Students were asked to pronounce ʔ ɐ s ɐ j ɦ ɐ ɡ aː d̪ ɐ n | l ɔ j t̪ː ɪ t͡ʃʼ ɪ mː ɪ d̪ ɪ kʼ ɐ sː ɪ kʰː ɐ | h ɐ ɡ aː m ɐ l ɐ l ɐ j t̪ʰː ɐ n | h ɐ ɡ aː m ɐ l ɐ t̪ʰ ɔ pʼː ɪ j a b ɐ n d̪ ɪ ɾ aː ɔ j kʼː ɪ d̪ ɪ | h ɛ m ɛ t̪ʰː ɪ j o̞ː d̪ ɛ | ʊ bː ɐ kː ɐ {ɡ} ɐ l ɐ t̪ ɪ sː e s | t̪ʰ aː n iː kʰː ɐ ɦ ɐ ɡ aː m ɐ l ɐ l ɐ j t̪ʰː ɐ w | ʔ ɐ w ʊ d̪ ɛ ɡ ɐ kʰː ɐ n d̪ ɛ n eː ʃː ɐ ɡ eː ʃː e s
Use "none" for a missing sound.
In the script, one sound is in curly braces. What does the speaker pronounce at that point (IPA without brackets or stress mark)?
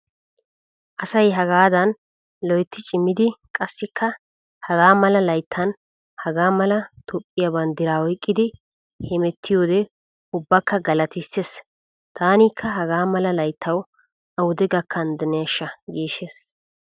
ɡ